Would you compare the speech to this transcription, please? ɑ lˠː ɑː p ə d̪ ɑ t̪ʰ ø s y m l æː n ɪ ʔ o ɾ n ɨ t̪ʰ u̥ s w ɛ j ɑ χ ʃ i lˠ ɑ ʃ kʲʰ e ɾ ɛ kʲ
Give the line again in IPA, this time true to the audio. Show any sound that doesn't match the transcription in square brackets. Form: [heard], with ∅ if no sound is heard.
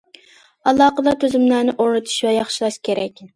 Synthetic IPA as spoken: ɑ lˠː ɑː [q] ə d̪ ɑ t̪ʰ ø [z] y m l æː n ɪ ʔ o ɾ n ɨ t̪ʰ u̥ [ʃ] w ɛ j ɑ χ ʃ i lˠ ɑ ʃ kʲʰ e ɾ ɛ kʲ